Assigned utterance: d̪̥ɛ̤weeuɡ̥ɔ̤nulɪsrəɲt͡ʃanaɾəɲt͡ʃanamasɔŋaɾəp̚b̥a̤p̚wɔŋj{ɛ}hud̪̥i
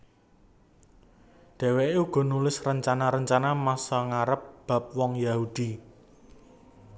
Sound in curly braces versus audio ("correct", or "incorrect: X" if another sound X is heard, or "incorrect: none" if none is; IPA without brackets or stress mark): incorrect: a